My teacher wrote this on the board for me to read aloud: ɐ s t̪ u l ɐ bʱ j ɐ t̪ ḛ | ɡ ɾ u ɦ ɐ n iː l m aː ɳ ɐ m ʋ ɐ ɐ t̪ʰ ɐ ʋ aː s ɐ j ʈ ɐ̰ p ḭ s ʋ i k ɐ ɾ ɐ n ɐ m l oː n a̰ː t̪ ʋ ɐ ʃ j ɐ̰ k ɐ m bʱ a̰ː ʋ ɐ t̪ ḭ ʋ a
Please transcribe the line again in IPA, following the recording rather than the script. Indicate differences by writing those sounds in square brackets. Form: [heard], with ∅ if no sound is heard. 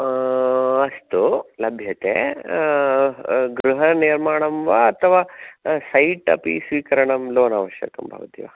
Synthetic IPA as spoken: ɐ s t̪ u l ɐ bʱ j ɐ t̪ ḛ | ɡ ɾ u ɦ ɐ n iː [ɾ] m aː ɳ ɐ m ʋ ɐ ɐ t̪ʰ ɐ ʋ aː s ɐ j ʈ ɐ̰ p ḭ s ʋ [iː] k ɐ ɾ ɐ [ɳ] ɐ m l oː n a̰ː [∅] ʋ ɐ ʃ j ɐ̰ k ɐ m bʱ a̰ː ʋ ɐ t̪ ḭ ʋ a